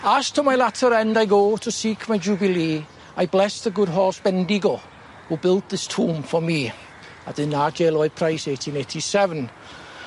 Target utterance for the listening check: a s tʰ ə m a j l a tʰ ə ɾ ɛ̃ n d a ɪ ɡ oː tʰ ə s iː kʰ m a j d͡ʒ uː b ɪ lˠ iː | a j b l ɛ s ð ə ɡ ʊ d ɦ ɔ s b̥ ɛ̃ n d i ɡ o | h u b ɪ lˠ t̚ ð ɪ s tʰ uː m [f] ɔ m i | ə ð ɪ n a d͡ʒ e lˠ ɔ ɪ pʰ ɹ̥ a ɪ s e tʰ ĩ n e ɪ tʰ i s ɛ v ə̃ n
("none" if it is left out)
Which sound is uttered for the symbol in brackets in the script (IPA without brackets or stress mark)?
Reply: f